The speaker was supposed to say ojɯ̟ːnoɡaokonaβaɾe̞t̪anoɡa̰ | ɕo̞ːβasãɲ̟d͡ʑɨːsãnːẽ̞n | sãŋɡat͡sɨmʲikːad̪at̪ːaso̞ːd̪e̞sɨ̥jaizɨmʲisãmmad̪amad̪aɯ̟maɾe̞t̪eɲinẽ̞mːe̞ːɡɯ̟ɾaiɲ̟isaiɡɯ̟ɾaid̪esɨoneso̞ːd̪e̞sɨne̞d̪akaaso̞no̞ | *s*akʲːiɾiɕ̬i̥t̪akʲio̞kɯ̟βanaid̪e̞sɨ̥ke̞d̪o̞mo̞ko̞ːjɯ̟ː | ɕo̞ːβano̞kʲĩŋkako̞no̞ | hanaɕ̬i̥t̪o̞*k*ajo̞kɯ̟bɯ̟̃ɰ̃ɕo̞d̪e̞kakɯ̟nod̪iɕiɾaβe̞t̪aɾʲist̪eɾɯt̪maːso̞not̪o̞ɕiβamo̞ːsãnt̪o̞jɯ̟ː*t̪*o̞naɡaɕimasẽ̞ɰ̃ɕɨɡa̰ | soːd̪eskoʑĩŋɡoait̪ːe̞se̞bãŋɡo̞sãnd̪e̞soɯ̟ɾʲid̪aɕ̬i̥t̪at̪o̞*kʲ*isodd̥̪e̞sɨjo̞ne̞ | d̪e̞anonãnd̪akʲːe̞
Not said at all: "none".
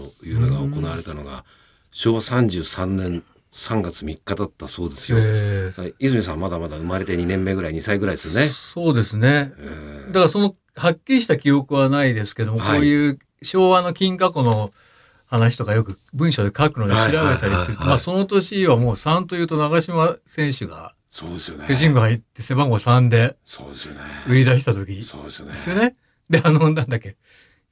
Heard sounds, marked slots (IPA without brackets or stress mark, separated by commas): h, k, t̪, kʲ